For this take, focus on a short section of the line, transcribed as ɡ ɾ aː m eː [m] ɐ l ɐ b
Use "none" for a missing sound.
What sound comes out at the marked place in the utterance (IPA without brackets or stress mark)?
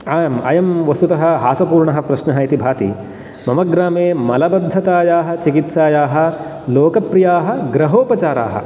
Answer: m